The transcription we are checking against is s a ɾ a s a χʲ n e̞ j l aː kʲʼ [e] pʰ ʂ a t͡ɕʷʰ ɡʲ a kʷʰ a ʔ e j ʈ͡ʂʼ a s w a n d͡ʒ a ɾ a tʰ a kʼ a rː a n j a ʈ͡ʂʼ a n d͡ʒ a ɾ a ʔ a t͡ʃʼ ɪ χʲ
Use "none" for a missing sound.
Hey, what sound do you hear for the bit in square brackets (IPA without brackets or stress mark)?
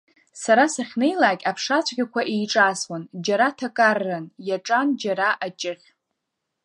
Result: a